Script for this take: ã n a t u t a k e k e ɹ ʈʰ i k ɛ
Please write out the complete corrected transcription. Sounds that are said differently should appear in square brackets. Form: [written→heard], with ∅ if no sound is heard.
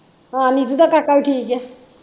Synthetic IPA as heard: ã n [a→i] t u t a k [e→a] k [e→a] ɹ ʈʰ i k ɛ